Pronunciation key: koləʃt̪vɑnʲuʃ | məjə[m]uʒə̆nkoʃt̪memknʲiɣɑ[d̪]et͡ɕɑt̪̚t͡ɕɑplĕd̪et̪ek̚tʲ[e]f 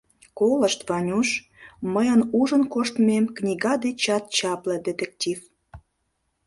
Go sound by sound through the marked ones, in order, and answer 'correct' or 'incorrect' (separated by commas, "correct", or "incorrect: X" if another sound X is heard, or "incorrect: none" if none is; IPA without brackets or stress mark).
incorrect: n, correct, incorrect: i